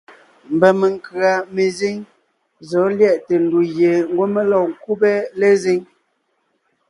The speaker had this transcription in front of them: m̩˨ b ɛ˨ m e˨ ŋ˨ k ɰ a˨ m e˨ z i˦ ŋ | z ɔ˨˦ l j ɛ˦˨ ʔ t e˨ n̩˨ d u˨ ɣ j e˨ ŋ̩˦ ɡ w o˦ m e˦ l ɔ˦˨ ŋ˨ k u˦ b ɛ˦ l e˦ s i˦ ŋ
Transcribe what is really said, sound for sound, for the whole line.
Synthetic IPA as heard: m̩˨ b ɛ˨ m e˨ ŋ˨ k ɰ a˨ m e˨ z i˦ ŋ | z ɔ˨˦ l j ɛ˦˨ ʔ t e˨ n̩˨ d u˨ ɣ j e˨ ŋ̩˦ ɡ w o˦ m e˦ l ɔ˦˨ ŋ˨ k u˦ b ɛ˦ l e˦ z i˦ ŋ